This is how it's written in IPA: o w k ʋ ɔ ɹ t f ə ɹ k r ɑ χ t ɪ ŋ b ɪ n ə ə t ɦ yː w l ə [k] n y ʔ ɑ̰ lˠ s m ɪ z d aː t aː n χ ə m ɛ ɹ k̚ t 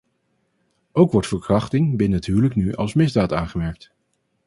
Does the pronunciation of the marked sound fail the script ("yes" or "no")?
no